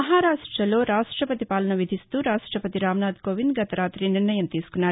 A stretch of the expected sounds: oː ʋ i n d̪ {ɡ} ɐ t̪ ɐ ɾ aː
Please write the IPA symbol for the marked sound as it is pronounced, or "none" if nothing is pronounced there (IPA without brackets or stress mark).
ɡ